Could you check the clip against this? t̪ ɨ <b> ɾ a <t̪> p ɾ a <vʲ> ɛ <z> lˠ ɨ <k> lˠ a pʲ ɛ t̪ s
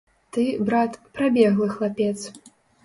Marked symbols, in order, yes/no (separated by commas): yes, yes, no, no, no